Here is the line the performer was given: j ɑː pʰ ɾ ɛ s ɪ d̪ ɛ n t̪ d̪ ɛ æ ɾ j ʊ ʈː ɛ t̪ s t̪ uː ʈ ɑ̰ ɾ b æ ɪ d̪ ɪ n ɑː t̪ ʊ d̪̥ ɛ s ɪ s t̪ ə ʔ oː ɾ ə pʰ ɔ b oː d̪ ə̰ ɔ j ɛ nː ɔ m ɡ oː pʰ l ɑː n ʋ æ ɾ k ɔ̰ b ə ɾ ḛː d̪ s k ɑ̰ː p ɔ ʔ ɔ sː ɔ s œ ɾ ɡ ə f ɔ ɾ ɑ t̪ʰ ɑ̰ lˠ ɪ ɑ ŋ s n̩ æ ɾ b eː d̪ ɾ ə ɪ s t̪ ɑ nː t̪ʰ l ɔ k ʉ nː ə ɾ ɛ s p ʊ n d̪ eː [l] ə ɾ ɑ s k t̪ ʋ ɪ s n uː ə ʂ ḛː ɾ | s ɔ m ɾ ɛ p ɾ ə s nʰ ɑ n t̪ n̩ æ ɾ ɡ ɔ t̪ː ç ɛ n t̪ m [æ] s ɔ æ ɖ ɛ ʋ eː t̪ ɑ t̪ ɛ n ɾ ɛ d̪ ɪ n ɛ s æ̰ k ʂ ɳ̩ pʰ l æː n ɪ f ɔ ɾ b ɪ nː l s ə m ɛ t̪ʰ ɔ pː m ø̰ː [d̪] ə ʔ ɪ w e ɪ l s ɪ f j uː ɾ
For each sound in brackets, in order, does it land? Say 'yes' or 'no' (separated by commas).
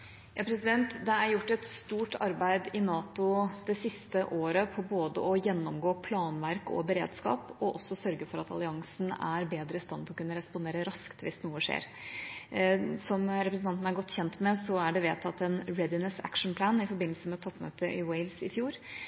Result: no, no, no